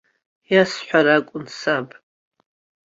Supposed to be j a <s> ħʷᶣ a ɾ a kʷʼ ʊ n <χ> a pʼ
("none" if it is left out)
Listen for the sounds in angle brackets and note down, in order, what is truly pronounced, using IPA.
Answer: s, s

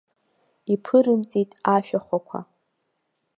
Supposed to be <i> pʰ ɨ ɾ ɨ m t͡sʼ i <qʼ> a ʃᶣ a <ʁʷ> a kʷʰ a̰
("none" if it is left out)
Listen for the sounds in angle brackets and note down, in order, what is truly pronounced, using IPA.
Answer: i, tʼ, χʷ

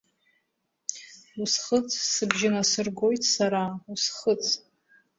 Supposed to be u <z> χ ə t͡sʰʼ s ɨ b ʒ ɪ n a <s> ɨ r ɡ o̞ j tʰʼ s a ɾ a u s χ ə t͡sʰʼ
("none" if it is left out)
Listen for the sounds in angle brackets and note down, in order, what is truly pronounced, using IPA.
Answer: s, s

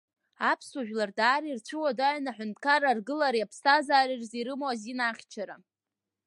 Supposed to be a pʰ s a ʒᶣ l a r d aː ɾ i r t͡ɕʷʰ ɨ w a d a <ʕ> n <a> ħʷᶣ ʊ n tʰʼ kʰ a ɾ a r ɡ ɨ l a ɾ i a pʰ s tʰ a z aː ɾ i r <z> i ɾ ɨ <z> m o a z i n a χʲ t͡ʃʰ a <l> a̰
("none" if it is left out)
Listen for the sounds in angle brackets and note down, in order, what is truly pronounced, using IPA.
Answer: ʕ, a, z, none, ɾ

